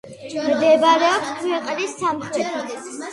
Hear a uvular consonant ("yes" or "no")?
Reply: yes